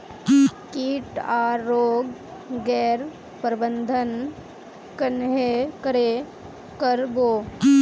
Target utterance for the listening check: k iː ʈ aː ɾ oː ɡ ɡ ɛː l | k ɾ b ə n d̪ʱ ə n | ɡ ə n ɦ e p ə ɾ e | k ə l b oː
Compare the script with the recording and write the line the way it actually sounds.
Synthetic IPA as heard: k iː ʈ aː ɾ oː ɡ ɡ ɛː ɾ | p ɾ b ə n d̪ʱ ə n | k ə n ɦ e k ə ɾ e | k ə ɾ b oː